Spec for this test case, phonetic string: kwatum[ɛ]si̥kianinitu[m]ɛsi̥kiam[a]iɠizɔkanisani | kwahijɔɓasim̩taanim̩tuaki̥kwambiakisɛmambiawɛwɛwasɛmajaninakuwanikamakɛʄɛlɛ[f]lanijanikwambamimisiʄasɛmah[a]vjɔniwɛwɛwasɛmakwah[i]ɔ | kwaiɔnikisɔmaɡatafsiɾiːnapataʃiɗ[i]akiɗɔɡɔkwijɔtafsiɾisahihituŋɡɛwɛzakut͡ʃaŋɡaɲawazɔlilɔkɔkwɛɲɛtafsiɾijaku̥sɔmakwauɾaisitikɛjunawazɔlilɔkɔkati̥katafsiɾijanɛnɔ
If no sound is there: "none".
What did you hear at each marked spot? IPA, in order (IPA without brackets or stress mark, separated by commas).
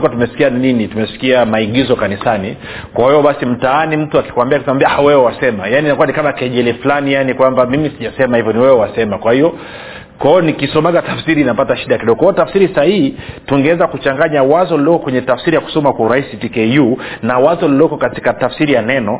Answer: ɛ, m, a, f, i, i, a